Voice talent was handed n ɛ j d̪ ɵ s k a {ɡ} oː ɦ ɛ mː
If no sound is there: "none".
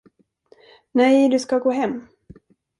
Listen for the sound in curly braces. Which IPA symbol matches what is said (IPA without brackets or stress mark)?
ɡ